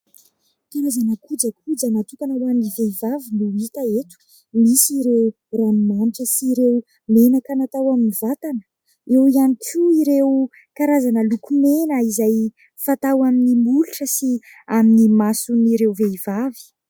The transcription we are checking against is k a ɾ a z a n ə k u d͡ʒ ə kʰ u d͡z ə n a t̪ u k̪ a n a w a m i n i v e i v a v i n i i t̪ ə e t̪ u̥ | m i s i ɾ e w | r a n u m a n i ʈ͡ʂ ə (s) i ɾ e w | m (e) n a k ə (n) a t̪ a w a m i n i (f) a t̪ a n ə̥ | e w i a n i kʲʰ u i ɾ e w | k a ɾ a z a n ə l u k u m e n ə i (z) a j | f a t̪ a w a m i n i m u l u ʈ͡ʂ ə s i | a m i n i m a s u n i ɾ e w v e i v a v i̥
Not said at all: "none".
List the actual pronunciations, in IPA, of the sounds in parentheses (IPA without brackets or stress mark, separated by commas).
s, e, n, v, z